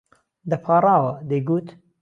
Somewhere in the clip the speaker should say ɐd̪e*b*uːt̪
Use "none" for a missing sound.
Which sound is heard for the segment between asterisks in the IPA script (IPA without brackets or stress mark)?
ɡ